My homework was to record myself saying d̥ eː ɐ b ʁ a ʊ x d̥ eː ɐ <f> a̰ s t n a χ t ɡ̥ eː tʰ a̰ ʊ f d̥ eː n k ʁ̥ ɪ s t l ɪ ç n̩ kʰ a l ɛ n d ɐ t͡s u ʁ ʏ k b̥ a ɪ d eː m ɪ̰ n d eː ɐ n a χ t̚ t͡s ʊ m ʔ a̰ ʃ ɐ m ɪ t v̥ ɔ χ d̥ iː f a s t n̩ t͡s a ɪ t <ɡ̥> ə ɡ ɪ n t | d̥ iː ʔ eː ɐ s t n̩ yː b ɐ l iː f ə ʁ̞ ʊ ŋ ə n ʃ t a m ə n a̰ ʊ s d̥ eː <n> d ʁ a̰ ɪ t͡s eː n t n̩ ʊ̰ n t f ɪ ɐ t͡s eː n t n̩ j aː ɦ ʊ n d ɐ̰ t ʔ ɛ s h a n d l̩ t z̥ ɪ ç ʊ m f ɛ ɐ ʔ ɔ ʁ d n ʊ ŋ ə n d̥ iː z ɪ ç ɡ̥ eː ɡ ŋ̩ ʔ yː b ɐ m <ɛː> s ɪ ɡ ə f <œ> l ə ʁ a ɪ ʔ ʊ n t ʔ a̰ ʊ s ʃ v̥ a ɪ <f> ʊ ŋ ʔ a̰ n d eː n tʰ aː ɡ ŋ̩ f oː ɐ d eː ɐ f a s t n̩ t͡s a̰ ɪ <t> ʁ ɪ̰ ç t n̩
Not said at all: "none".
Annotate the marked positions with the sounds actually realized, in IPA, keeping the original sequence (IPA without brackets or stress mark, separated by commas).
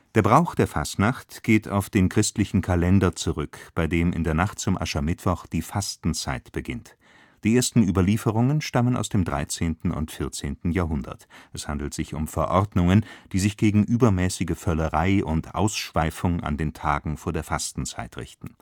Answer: f, b̥, m, ɛː, œ, f, t